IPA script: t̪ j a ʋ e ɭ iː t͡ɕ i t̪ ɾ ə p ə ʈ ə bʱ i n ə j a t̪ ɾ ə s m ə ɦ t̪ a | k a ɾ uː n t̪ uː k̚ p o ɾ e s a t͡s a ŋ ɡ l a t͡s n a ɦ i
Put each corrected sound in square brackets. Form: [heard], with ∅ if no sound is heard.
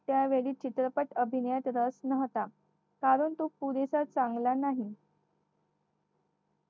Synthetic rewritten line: t̪ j a ʋ e ɭ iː t͡ɕ i t̪ ɾ ə p ə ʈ ə bʱ i n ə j a t̪ ɾ ə s [n] ə ɦ t̪ a | k a ɾ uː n t̪ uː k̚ p [u] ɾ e s a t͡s a ŋ ɡ l a [∅] n a ɦ i

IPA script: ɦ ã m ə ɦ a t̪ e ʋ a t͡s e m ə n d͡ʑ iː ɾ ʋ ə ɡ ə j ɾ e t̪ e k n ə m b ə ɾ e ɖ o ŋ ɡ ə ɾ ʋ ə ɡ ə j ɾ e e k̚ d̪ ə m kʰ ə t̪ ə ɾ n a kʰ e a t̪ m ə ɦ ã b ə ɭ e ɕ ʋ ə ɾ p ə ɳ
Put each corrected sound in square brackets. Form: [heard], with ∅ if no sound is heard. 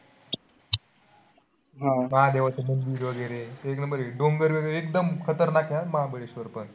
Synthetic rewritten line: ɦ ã m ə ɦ a [d̪] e ʋ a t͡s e m ə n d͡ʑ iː ɾ ʋ ə ɡ ə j ɾ e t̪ e k n ə m b ə ɾ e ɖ o ŋ ɡ ə ɾ ʋ ə ɡ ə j ɾ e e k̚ d̪ ə m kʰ ə t̪ ə ɾ n a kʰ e a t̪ m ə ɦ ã b ə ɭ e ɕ ʋ ə ɾ p ə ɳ

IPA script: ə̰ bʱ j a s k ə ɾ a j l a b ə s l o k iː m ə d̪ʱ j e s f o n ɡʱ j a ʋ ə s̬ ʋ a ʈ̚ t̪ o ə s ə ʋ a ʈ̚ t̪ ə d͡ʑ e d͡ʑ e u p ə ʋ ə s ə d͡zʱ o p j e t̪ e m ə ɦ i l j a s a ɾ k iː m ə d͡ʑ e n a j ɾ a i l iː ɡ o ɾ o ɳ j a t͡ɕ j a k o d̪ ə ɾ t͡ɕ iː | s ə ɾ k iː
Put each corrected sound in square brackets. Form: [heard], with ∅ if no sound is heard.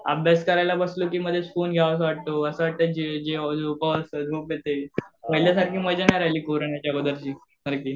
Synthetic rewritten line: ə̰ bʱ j a s k ə ɾ a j l a b ə s l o k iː m ə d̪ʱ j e s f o n ɡʱ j a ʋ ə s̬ ʋ a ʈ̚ t̪ o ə s ə ʋ a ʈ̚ t̪ ə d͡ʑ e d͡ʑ e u p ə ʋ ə s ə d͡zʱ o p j e t̪ e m ə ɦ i l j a s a ɾ k iː m ə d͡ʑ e n a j ɾ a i l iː [k] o ɾ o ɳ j a t͡ɕ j a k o d̪ ə ɾ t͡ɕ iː | s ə ɾ k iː

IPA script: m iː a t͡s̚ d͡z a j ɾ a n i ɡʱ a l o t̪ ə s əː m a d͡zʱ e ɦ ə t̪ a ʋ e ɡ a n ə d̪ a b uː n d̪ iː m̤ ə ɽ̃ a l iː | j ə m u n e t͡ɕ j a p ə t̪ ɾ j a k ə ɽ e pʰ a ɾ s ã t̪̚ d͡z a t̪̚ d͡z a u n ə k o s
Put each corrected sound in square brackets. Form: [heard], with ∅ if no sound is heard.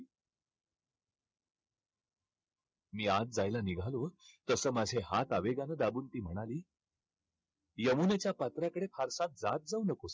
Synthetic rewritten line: m iː a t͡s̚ d͡z a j [l] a n i ɡʱ a l o t̪ ə s əː m a d͡zʱ e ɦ [a] t̪ a ʋ e ɡ a n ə d̪ a b uː n [t̪] iː m̤ ə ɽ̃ a l iː | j ə m u n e t͡ɕ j a p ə t̪ ɾ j a k ə ɽ e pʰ a ɾ s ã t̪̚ d͡z a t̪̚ d͡z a u n ə k o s

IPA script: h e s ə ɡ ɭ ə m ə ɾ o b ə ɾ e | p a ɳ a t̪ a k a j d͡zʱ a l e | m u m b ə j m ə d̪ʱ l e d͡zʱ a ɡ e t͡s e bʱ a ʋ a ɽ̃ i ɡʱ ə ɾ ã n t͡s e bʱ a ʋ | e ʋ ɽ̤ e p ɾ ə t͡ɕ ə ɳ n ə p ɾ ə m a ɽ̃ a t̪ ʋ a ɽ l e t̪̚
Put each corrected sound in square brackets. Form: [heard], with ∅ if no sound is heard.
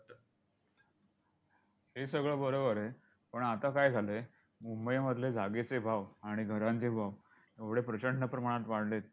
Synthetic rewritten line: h e s ə ɡ ɭ ə [b] ə ɾ o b ə ɾ e | p [ə] ɳ a t̪ a k a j d͡zʱ a l e | m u m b ə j m ə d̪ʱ l e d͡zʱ a ɡ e t͡s e bʱ a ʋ a ɽ̃ i ɡʱ ə ɾ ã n t͡s e bʱ a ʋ | e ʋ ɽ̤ e p ɾ ə t͡ɕ ə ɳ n ə p ɾ ə m a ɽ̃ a t̪ ʋ a ɽ l e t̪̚

